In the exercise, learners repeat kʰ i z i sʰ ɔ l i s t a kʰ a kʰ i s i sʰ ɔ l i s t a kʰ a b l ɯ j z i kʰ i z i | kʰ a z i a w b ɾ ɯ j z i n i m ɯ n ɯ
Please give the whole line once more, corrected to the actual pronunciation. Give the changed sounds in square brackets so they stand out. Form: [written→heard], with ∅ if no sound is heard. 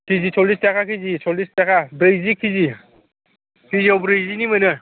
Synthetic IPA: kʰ i z i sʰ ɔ l i s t a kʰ a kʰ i [s→z] i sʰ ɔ l i s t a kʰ a b [l→ɾ] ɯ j z i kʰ i z i | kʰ [a→i] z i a w b ɾ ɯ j z i n i m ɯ n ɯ

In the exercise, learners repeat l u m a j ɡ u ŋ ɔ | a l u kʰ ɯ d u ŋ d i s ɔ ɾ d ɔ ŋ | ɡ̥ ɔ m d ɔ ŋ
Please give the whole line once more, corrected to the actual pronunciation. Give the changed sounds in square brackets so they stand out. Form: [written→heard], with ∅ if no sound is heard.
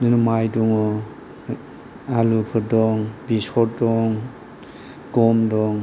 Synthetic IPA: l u m a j [ɡ→d] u ŋ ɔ | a l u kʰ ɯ d [u→ɔ] ŋ [d→b] i s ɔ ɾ d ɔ ŋ | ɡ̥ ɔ m d ɔ ŋ

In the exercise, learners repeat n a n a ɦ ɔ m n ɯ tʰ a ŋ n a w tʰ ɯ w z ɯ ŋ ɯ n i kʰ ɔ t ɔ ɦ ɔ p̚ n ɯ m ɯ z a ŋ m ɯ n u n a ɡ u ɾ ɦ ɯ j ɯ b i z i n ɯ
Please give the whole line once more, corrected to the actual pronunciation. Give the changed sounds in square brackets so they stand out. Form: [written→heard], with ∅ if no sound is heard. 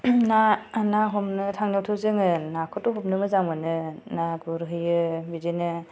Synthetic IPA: n a n a ɦ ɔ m n ɯ tʰ a ŋ n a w tʰ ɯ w z ɯ ŋ ɯ n [i→a] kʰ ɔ t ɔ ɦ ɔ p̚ n ɯ m ɯ z a ŋ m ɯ n [u→ɯ] n a ɡ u ɾ ɦ ɯ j ɯ b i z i n ɯ

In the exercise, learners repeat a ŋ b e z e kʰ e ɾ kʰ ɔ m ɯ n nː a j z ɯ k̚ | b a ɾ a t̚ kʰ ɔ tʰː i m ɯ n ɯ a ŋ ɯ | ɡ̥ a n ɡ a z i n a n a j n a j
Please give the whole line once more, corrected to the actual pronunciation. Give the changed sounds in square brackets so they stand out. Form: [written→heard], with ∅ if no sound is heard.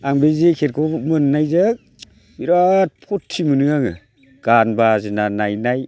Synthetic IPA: a ŋ b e z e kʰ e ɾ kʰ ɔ m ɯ n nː a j z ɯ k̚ | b [a→i] ɾ a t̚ [kʰ→pʰ] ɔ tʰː i m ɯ n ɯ a ŋ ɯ | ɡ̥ a n [ɡ→b] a z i n a n a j n a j

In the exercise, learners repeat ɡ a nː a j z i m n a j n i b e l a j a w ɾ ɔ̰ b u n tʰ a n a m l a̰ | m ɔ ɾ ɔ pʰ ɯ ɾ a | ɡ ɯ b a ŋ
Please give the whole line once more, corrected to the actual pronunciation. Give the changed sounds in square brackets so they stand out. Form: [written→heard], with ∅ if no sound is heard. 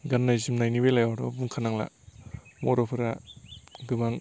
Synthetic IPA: ɡ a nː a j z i m n a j n i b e l a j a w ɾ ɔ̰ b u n [tʰ→kʰ] a n a [m→ŋ] l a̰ | m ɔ ɾ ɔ pʰ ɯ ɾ a | ɡ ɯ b a ŋ

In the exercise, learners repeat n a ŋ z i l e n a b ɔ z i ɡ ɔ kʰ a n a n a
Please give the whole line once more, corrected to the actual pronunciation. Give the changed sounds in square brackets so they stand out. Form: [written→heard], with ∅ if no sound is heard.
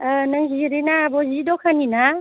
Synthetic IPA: n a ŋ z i [l→ɾ] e n a b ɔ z i [ɡ→d] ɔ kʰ a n [a→i] n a

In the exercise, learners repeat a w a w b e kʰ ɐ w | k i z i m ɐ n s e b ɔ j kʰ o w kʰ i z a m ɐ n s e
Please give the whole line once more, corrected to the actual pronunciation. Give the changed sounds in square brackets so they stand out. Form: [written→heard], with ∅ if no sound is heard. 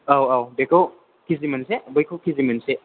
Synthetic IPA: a w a w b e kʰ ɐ w | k i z i m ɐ n s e b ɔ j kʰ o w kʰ i z [a→i] m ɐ n s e

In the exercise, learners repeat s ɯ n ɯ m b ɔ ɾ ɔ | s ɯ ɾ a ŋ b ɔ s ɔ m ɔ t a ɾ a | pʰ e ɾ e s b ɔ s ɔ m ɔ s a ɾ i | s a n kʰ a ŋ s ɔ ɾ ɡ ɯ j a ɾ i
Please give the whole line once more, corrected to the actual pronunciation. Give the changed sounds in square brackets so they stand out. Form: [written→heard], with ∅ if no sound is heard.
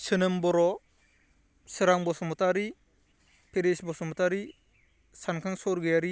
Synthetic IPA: s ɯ n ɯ m b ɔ ɾ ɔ | s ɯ ɾ a ŋ b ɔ s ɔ m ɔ t a ɾ [a→i] | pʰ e ɾ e s b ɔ s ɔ m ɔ [s→t] a ɾ i | s a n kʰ a ŋ s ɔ ɾ ɡ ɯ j a ɾ i

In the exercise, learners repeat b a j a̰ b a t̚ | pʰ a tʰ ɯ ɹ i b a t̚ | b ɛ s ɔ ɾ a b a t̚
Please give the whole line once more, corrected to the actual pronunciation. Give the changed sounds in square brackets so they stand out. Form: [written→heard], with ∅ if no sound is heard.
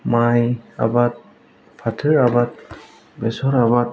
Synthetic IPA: [b→m] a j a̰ b a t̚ | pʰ a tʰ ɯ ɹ [i→a] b a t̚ | b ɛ s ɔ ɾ a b a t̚

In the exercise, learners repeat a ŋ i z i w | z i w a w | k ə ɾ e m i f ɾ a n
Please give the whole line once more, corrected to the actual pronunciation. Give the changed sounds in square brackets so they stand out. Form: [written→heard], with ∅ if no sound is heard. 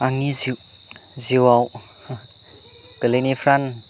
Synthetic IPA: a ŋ i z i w | z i w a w | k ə [ɾ→l] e [m→n] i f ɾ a n

